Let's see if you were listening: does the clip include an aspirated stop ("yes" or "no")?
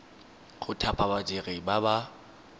yes